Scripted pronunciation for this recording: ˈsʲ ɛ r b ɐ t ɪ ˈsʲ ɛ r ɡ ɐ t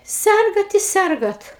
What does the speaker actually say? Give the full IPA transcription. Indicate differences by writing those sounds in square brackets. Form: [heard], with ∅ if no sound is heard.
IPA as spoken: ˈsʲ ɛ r [ɡ] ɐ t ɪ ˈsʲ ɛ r ɡ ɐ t